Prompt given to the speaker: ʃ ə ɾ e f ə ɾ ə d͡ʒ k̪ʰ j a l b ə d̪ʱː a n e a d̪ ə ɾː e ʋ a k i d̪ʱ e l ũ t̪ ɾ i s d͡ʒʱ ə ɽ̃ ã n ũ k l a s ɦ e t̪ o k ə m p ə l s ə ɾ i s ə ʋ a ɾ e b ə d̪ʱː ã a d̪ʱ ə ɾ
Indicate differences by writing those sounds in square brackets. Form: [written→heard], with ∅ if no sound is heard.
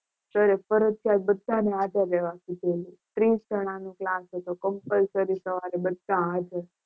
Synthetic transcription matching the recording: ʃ ə ɾ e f ə ɾ ə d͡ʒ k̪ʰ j a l b ə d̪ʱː a n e a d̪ ə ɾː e ʋ a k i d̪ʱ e l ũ t̪ ɾ i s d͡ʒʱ ə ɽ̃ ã n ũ k l a s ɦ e t̪ o k ə m p ə l s ə ɾ i s ə ʋ a ɾ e b ə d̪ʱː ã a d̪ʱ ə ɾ